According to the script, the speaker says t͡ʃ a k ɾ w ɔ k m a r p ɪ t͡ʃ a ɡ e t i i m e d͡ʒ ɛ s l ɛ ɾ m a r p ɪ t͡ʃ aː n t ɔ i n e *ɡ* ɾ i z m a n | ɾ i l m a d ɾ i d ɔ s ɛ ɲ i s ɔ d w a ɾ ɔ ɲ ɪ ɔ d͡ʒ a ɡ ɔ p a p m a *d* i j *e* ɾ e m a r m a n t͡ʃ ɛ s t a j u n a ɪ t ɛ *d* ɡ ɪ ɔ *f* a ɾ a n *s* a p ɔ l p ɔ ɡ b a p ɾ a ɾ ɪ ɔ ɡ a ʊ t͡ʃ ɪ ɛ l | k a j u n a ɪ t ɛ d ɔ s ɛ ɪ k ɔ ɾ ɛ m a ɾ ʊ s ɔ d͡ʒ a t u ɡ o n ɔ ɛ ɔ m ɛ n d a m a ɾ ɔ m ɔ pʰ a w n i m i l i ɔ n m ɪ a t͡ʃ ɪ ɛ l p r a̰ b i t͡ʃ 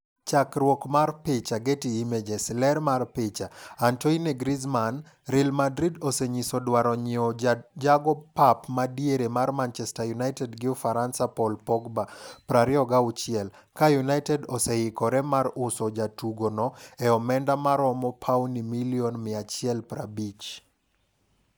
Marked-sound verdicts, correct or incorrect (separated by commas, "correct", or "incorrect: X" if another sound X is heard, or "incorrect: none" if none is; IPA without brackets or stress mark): correct, correct, correct, correct, correct, correct